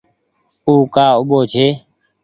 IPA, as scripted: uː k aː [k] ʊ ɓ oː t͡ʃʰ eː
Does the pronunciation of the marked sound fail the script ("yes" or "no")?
yes